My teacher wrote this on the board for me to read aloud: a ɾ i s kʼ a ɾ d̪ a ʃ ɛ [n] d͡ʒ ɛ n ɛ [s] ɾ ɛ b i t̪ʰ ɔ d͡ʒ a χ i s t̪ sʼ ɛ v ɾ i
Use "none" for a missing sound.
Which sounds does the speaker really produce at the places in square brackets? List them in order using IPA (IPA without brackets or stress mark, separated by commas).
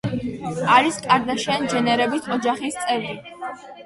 n, none